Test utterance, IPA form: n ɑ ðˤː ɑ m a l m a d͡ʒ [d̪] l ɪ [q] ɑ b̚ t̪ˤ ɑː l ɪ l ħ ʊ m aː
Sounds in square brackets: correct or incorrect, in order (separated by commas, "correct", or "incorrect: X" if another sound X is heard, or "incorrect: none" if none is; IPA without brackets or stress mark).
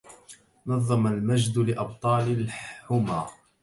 correct, incorrect: ʔ